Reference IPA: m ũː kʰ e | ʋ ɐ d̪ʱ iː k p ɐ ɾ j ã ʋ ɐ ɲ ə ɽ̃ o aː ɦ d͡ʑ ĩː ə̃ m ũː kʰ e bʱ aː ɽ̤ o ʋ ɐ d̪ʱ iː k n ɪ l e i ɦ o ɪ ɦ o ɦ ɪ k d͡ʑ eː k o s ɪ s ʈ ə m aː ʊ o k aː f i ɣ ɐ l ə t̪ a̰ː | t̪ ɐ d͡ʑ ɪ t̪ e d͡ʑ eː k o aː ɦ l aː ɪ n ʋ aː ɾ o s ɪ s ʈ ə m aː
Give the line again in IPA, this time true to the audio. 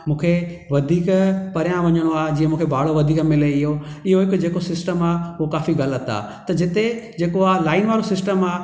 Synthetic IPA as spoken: m ũː kʰ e | ʋ ɐ d̪ʱ iː k p ɐ ɾ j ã ʋ ɐ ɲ ə ɽ̃ o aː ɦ d͡ʑ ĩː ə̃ m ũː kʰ e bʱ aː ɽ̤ o ʋ ɐ d̪ʱ iː k m ɪ l e ɪ ɦ o ɪ ɦ o ɦ ɪ k d͡ʑ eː k o s ɪ s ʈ ə m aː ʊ o k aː f i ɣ ɐ l ə t̪ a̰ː | t̪ ɐ d͡ʑ ɪ t̪ e d͡ʑ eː k o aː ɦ l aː ɪ n ʋ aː ɾ o s ɪ s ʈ ə m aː